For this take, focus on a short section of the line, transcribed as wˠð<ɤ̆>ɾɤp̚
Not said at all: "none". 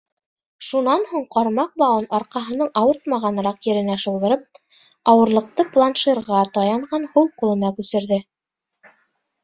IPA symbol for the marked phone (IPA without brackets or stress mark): ɤ̆